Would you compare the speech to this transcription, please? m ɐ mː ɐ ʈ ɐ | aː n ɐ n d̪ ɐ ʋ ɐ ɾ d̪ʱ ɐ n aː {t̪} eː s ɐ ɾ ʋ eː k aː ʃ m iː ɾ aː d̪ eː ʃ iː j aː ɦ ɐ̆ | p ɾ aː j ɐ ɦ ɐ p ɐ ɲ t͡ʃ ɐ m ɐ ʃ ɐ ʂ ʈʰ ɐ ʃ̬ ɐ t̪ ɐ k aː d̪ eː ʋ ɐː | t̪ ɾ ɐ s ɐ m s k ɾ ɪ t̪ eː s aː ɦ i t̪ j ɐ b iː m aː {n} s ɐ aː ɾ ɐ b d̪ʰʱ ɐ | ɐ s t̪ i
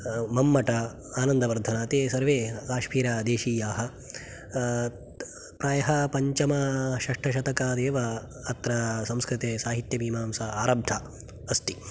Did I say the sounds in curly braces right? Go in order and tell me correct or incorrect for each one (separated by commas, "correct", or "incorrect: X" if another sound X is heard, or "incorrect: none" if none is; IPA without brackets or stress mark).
correct, incorrect: m